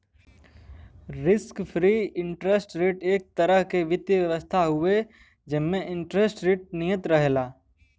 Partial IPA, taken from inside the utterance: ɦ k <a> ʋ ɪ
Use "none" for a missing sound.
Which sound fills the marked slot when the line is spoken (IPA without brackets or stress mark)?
e